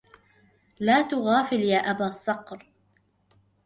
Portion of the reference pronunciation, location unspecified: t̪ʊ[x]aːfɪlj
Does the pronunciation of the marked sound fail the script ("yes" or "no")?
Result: yes